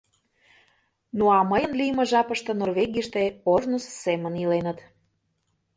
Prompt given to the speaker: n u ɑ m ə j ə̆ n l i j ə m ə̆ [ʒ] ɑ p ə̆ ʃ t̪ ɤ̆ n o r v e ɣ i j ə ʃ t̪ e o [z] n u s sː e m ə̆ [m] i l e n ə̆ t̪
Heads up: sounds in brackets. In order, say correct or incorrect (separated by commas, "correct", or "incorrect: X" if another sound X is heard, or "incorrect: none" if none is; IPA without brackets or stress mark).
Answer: correct, incorrect: ʒ, incorrect: n